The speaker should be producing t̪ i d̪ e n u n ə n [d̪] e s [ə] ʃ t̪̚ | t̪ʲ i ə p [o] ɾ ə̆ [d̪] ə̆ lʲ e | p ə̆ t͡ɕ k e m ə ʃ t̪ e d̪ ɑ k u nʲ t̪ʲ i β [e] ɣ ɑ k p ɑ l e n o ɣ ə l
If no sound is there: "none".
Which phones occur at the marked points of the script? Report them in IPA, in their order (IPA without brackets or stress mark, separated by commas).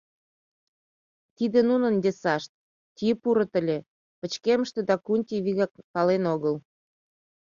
d̪, ɑ, u, t̪, i